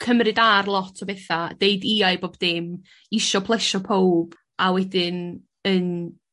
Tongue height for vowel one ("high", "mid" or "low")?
mid